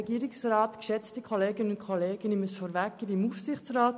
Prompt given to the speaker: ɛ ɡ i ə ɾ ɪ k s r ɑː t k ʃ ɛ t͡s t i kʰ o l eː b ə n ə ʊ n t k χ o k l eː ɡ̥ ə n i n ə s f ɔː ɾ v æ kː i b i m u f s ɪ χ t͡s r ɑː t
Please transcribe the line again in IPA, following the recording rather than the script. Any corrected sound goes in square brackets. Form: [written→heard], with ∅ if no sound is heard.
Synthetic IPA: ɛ ɡ i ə ɾ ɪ k s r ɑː t k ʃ ɛ t͡s t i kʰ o l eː [b→ɡ] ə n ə ʊ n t k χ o [k→∅] l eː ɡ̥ ə n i [n→m] ə s f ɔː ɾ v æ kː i b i m u f s ɪ χ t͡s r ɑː t